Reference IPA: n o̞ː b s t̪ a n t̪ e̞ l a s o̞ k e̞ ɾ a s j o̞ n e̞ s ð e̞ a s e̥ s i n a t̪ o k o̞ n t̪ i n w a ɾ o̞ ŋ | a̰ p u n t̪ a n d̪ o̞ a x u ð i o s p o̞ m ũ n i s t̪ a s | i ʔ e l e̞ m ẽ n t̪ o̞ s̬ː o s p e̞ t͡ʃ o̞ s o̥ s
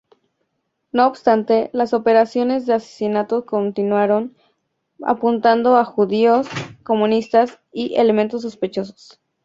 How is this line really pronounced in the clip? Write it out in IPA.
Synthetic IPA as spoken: n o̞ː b s t̪ a n t̪ e̞ l a s o̞ p e̞ ɾ a s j o̞ n e̞ z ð e̞ a s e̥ s i n a t̪ o k o̞ n t̪ i n w a ɾ o̞ n | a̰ p u n t̪ a n d̪ o̞ a x u ð i o s k o̞ m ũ n i s t̪ a s | i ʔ e l e̞ m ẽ n t̪ o̞ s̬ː o s p e̞ t͡ʃ o̞ s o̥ s

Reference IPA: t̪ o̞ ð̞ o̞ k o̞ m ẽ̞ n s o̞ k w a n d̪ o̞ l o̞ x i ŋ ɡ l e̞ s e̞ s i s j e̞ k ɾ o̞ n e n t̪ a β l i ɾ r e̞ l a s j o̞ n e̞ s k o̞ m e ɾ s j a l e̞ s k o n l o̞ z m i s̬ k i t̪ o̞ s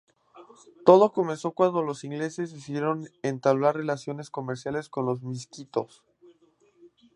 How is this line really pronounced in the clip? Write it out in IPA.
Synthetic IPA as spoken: t̪ o̞ ð̞ o̞ k o̞ m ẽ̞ n s o̞ k w a n d̪ o̞ l o̞ s i ŋ ɡ l e̞ s e̞ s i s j e̞ ɾ o̞ n e n t̪ a β l a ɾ r e̞ l a s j o̞ n e̞ s k o̞ m e ɾ s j a l e̞ s k o n l o̞ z m i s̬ k i t̪ o̞ s

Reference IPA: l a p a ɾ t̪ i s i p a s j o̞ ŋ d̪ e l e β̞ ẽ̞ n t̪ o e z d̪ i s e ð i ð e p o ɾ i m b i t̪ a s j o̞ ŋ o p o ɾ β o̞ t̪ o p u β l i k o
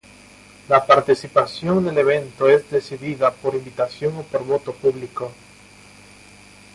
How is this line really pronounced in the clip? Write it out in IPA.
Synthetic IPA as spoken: l a p a ɾ t̪ i s i p a s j o̞ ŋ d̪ e l e β̞ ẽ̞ n t̪ o e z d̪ e s i ð i ð a p o ɾ i m b i t̪ a s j o̞ ŋ o p o ɾ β o̞ t̪ o p u β l i k o

